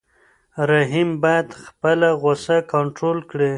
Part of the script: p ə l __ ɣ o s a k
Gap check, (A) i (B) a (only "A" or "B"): B